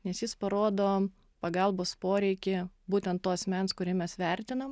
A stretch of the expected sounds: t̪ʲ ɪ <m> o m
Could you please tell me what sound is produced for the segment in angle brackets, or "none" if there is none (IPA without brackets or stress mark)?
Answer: n